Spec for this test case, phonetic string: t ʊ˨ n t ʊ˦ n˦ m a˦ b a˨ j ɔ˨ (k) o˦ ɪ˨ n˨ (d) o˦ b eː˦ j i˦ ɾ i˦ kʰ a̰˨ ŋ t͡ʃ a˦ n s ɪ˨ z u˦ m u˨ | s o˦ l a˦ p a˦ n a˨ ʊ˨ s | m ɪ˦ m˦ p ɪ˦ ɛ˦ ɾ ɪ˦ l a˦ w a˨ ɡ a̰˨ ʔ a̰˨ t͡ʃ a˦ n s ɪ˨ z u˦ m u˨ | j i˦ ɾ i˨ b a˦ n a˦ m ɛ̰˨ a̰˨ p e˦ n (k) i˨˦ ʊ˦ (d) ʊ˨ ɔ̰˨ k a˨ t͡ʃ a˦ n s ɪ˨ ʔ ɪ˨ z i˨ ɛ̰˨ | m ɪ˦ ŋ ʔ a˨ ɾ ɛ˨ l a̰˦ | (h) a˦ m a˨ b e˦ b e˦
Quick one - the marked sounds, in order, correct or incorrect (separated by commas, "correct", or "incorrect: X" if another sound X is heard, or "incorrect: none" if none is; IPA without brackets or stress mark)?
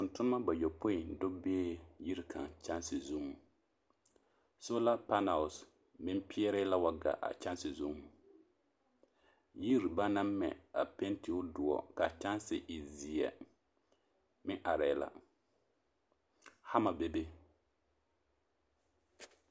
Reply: incorrect: p, correct, incorrect: t, correct, correct